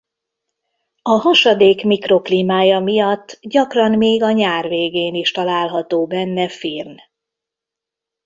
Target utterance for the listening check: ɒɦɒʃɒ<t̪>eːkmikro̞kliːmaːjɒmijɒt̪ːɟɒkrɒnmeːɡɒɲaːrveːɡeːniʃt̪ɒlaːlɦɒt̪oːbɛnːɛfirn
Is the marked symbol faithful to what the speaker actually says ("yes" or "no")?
no